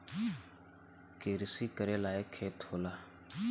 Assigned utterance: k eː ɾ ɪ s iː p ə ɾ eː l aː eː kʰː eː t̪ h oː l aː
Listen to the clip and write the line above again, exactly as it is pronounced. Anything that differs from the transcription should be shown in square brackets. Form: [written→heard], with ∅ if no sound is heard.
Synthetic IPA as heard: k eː ɾ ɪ s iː [p→k] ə ɾ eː l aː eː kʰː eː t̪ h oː l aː